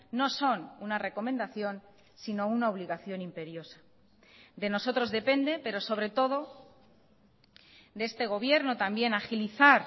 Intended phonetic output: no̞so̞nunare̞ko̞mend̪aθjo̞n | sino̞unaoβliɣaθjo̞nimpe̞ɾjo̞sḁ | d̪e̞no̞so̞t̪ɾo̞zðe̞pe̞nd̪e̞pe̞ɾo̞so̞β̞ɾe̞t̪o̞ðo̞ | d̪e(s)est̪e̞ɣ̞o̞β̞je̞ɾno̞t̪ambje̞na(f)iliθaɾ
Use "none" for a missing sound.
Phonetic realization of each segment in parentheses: none, x

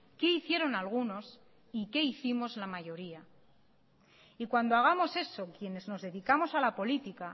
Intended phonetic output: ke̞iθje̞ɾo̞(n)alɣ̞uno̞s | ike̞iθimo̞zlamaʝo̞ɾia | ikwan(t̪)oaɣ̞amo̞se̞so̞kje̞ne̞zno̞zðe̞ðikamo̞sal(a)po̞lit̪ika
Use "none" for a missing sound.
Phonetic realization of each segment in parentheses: n, d̪, a

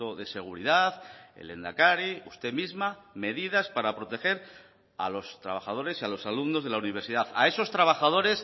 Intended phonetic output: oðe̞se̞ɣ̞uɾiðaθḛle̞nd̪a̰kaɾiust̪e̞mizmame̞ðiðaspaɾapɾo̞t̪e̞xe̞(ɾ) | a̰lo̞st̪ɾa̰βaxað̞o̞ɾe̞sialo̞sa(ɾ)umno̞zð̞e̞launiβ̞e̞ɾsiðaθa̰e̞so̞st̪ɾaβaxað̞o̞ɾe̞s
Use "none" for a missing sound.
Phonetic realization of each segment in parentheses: ɾ, l

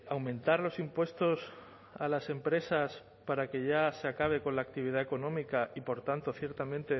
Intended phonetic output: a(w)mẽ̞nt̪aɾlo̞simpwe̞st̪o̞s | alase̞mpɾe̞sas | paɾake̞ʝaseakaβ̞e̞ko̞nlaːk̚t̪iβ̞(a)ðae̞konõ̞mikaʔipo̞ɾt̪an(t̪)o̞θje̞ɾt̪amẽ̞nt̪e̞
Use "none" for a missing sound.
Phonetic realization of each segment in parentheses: w, i, t̪

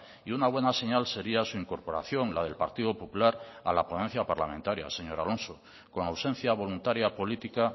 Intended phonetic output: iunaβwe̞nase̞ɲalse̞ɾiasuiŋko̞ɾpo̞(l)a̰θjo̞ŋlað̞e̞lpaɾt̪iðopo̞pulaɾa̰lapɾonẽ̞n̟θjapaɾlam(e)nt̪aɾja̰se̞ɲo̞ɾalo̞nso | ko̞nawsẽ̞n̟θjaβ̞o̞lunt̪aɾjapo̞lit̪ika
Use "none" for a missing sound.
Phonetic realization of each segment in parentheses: ɾ, ẽ

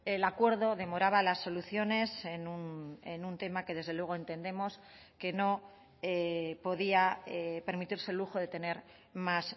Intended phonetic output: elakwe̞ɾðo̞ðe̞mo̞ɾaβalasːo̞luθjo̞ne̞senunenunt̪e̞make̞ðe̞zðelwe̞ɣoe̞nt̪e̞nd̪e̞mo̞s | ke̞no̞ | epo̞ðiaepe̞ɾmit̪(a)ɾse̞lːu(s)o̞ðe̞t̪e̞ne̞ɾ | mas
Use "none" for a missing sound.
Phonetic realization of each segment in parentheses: i, x

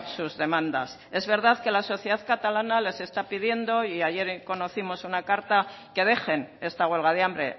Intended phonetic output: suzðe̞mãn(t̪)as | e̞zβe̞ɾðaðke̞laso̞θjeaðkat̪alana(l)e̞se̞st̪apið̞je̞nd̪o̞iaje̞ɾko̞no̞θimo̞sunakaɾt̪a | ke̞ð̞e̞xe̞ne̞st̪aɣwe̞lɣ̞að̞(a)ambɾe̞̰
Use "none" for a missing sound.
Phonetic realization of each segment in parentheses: d̪, l, e

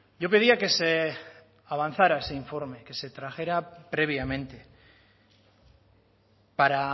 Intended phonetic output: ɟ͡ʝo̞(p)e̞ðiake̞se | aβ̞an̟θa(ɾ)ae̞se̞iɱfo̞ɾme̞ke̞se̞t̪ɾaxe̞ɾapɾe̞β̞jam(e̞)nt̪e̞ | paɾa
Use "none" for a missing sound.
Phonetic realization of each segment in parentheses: p, ɾ, ẽ̞

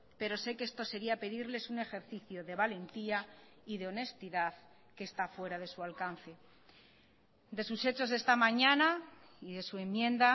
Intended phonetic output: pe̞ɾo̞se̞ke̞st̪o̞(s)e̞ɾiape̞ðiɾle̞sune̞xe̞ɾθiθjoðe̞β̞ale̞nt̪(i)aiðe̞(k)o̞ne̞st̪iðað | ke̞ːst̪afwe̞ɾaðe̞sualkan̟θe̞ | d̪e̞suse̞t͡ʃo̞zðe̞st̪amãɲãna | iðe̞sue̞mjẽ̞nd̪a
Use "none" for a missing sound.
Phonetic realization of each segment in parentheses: s, i, none

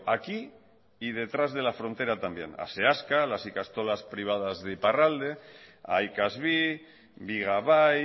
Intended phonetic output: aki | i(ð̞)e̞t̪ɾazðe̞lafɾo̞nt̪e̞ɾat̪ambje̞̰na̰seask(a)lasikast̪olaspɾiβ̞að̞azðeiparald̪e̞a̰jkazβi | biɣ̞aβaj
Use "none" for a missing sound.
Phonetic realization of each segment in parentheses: ð̞, a

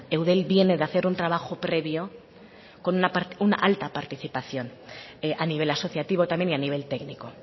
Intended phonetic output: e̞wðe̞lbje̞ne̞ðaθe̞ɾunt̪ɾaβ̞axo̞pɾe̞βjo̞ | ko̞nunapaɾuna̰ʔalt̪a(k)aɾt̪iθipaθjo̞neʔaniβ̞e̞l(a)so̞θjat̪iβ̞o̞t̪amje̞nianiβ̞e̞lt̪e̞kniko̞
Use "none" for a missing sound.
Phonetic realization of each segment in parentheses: p, a

